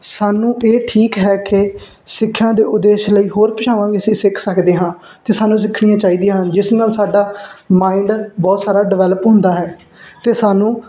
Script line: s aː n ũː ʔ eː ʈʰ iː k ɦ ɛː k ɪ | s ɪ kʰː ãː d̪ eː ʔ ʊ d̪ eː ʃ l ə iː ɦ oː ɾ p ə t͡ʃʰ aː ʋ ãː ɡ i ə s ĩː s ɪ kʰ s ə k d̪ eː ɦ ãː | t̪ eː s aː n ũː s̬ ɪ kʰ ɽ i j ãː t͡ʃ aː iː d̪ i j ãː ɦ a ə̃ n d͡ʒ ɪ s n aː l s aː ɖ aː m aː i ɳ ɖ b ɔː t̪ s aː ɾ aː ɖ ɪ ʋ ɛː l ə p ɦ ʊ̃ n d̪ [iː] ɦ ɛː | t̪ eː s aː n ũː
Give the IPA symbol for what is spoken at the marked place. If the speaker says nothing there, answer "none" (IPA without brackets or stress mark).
aː